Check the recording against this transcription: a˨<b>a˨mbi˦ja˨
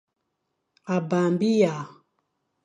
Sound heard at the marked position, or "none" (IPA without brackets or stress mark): b